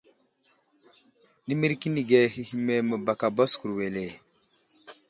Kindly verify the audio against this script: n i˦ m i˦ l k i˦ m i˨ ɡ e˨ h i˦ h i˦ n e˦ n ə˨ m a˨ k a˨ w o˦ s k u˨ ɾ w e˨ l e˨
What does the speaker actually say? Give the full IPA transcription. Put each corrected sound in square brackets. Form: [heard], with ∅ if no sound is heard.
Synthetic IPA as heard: n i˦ m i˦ [ɾ] k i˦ [n] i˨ ɡ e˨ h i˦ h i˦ [m] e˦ [m] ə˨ [b] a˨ k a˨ [b] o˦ s k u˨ ɾ w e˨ l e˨